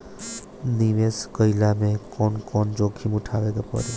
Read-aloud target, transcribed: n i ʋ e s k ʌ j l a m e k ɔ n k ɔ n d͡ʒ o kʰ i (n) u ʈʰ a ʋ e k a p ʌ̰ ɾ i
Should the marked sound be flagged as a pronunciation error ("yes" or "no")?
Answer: yes